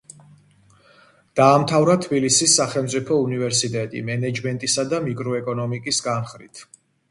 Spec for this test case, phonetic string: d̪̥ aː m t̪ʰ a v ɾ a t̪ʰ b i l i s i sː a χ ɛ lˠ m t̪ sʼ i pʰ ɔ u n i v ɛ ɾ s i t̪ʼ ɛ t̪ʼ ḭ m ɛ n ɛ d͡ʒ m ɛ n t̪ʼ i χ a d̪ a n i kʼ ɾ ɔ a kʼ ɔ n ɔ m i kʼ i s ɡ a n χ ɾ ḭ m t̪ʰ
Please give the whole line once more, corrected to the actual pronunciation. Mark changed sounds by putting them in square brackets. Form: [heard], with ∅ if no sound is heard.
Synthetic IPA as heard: d̪̥ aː m t̪ʰ a v ɾ a t̪ʰ b i l i s i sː a χ ɛ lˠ m t̪ sʼ i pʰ ɔ u n i v ɛ ɾ s i t̪ʼ ɛ t̪ʼ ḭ m ɛ n ɛ d͡ʒ m ɛ n t̪ʼ i [s] a d̪ a [m] i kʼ ɾ ɔ [ɛ] kʼ ɔ n ɔ m i kʼ i s ɡ a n χ ɾ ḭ [∅] t̪ʰ